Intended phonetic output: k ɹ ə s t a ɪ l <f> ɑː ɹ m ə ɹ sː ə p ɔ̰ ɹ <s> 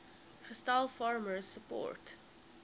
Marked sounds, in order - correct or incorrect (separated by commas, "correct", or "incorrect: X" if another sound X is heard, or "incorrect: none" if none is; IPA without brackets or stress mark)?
correct, incorrect: t